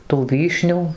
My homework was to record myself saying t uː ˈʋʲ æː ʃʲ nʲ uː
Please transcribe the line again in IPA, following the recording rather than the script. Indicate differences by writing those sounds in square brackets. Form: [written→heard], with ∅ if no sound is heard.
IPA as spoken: t uː ˈʋʲ [æː→iː] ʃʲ nʲ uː

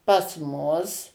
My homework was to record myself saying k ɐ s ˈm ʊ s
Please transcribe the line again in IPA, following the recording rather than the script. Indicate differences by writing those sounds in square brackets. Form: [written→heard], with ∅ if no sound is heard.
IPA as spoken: [k→p] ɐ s ˈm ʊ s

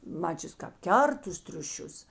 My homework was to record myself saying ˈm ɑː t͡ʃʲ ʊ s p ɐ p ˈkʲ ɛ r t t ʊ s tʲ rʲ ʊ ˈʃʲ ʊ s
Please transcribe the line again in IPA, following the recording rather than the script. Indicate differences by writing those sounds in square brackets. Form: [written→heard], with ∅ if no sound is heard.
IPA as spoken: ˈm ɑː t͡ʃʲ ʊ s [p→k] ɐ p ˈkʲ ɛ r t t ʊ s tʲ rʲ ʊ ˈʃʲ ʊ s

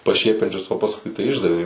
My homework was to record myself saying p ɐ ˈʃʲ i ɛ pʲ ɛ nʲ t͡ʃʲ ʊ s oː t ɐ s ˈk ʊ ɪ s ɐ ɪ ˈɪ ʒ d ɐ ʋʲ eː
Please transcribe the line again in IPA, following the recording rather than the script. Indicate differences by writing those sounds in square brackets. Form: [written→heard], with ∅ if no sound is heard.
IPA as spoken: p ɐ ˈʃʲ i ɛ pʲ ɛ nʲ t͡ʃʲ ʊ s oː [t→p] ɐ s ˈk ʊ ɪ [s→t] ɐ ɪ ˈɪ ʒ d ɐ ʋʲ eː

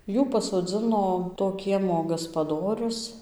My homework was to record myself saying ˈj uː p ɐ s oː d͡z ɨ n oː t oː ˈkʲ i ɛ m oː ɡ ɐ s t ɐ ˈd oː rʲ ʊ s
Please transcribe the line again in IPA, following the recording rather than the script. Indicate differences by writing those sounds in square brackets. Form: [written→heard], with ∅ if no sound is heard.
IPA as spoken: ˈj uː p ɐ s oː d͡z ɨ n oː t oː ˈkʲ i ɛ m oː ɡ ɐ s [t→p] ɐ ˈd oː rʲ ʊ s

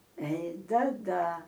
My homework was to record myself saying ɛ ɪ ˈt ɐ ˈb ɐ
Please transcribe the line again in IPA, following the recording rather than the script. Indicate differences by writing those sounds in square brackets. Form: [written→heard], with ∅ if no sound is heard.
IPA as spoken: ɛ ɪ [ˈt→ˈd] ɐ [ˈb→ˈd] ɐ

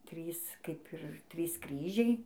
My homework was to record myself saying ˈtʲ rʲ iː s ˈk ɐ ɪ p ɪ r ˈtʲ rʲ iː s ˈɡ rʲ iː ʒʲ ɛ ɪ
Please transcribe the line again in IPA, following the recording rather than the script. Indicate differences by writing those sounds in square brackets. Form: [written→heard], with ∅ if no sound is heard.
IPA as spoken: ˈtʲ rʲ iː s ˈk ɐ ɪ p ɪ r ˈtʲ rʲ iː s [ˈɡ→ˈk] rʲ iː ʒʲ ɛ ɪ

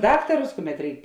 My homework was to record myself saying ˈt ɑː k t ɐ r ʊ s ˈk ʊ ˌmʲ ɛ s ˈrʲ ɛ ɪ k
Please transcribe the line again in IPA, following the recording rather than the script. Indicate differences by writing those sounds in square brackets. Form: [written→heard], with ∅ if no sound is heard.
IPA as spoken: [ˈt→ˈd] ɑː k t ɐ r ʊ s ˈk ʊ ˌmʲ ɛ [s→t] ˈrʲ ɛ ɪ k

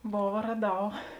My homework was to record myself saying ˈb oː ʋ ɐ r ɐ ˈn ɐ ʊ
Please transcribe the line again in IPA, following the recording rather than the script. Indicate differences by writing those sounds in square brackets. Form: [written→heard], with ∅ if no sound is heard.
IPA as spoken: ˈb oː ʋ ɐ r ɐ [ˈn→ˈd] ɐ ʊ

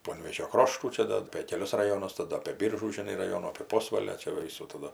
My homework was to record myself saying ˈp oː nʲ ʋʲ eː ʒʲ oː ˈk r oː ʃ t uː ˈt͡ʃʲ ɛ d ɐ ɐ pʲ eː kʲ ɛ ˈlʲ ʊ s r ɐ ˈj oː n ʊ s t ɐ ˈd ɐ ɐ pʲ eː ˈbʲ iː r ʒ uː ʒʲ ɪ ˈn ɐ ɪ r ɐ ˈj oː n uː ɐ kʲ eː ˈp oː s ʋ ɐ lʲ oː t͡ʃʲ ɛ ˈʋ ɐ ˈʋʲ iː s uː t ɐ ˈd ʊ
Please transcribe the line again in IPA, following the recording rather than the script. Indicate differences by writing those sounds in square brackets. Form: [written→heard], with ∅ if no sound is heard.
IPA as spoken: ˈp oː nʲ ʋʲ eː ʒʲ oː ˈk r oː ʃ t uː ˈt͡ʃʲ ɛ d ɐ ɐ pʲ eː kʲ ɛ ˈlʲ ʊ s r ɐ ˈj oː n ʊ s t ɐ ˈd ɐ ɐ pʲ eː ˈbʲ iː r ʒ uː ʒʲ ɪ ˈn ɐ ɪ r ɐ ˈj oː n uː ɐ [kʲ→pʲ] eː ˈp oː s ʋ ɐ lʲ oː t͡ʃʲ ɛ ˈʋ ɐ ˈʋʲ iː s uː t ɐ ˈd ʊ

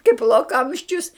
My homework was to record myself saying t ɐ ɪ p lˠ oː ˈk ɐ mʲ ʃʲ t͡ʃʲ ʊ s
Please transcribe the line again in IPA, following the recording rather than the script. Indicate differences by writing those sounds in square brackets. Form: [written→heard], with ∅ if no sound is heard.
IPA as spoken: [t→k] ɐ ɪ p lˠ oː ˈk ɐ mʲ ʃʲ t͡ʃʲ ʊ s

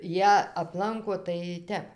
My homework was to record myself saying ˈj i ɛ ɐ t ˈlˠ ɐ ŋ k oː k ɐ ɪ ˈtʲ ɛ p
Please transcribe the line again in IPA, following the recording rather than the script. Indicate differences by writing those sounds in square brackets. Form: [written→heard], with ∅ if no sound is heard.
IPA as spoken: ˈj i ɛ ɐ [t→p] ˈlˠ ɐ ŋ k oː [k→t] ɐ ɪ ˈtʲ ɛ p

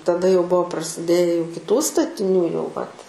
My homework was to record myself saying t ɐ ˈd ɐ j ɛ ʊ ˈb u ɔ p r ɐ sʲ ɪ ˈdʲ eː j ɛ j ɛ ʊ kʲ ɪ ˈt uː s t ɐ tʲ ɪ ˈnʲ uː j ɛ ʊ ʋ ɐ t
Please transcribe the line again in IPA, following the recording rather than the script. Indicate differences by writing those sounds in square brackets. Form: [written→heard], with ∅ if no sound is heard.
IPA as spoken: t ɐ ˈd ɐ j ɛ ʊ ˈb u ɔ p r ɐ sʲ ɪ ˈdʲ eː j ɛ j ɛ ʊ kʲ ɪ ˈt uː s t ɐ tʲ ɪ ˈnʲ uː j ɛ ʊ ʋ ɐ t

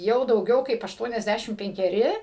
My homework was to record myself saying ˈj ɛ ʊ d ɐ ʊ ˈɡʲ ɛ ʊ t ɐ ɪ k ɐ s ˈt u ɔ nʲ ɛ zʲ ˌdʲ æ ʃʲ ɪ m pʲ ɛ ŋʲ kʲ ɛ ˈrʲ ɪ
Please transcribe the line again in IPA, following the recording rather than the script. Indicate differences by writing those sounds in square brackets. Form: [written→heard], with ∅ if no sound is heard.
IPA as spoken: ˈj ɛ ʊ d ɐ ʊ ˈɡʲ ɛ ʊ [t→k] ɐ ɪ [k→p] ɐ [s→ʃ] ˈt u ɔ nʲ ɛ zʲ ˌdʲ æ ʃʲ ɪ m pʲ ɛ ŋʲ kʲ ɛ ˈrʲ ɪ

